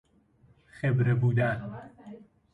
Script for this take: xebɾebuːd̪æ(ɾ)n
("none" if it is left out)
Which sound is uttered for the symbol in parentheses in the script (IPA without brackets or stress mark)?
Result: none